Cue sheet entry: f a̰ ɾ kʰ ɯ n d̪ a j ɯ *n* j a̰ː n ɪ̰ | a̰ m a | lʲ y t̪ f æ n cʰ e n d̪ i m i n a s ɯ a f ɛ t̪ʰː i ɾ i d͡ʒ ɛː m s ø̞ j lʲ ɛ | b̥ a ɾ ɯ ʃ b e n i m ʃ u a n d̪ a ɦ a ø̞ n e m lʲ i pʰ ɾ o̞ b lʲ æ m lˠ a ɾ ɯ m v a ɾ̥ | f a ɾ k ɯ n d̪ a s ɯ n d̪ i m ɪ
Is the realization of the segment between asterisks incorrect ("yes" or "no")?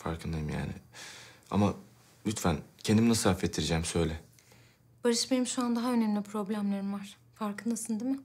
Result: yes